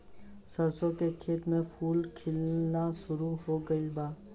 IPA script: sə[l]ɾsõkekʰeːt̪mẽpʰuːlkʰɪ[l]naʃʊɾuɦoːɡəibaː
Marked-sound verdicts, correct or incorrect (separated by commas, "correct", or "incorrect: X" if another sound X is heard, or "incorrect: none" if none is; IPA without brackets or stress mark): incorrect: none, correct